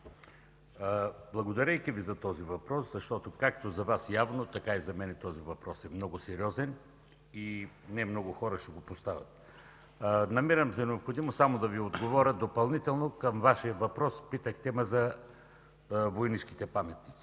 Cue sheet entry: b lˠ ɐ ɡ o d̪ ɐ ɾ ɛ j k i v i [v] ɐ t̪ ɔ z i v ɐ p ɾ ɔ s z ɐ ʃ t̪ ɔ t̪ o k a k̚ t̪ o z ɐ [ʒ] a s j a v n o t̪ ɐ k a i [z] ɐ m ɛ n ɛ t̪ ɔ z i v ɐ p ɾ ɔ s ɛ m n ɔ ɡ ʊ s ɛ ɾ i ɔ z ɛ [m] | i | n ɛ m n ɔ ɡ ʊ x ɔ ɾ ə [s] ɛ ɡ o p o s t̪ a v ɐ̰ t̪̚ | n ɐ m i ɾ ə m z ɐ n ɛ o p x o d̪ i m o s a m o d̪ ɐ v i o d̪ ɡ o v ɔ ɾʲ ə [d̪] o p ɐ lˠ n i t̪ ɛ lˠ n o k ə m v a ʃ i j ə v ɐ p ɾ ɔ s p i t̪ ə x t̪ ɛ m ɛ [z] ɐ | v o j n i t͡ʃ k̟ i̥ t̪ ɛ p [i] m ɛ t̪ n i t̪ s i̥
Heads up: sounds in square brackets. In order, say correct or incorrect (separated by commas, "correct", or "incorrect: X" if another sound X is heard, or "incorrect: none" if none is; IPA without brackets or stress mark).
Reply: incorrect: z, incorrect: v, correct, incorrect: n, incorrect: ʃ, correct, correct, incorrect: a